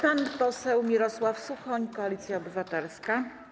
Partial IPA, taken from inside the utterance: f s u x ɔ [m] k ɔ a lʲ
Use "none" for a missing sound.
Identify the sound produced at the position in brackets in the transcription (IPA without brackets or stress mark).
ɲ